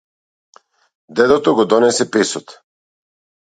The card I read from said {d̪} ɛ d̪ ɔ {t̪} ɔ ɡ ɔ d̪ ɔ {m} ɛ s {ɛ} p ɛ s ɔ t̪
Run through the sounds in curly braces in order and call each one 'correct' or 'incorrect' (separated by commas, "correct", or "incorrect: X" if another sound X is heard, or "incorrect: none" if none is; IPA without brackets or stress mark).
correct, correct, incorrect: n, correct